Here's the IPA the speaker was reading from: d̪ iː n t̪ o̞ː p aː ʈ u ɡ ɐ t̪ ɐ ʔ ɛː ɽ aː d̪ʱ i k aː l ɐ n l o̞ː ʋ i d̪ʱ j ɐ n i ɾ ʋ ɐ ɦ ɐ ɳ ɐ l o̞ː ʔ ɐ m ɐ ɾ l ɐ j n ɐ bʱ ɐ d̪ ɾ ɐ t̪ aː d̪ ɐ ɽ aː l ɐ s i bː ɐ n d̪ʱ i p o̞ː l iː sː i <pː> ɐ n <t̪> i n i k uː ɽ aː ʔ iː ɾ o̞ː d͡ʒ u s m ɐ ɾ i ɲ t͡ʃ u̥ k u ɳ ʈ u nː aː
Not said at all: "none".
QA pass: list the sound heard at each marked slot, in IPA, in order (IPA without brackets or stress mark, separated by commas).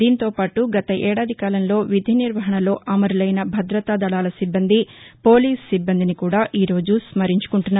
bː, d̪